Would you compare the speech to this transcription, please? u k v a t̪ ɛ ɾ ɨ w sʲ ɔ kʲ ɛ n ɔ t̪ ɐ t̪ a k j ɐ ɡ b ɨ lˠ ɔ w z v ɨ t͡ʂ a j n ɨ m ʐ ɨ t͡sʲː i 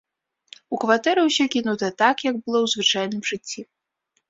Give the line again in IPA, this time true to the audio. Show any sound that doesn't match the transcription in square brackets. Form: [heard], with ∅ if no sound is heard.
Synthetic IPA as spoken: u k v a t̪ ɛ ɾ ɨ w sʲ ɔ kʲ [i] n [u] t̪ ɐ t̪ a k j ɐ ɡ b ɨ lˠ ɔ w z v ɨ t͡ʂ a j n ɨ m ʐ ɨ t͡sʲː i